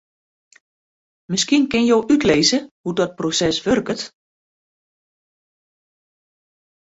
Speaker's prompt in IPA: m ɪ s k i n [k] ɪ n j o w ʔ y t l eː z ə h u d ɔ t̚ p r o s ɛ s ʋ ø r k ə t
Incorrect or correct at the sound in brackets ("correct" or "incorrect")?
correct